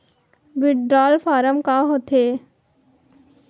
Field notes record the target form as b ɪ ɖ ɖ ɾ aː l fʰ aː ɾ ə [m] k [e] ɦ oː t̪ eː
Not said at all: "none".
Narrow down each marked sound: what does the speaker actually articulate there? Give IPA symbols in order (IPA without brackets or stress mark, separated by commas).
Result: m, a